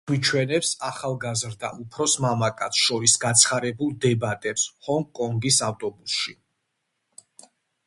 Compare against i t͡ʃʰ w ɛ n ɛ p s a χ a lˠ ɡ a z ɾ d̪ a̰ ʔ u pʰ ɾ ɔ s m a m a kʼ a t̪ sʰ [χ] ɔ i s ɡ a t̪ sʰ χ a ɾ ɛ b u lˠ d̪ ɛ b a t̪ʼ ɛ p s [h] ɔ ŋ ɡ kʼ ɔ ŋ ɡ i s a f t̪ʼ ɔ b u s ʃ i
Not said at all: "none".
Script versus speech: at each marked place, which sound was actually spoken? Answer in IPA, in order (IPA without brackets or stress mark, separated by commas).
ʃ, h